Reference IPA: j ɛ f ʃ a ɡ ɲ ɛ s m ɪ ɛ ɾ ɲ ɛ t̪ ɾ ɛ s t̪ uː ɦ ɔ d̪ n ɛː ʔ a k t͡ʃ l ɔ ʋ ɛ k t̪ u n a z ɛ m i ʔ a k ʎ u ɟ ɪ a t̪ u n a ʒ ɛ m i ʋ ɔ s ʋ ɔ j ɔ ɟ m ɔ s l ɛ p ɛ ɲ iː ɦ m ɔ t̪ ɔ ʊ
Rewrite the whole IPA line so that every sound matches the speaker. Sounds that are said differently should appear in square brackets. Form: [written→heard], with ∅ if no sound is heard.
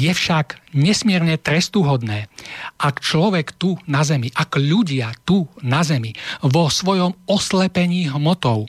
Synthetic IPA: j ɛ f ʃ a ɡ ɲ ɛ s m ɪ ɛ ɾ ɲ ɛ t̪ ɾ ɛ s t̪ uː ɦ ɔ d̪ n ɛː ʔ a k t͡ʃ l ɔ ʋ ɛ k t̪ u n a z ɛ m i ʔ a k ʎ u ɟ ɪ a t̪ u n a [ʒ→z] ɛ m i ʋ ɔ s ʋ ɔ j ɔ [ɟ→∅] m ɔ s l ɛ p ɛ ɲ iː ɦ m ɔ t̪ ɔ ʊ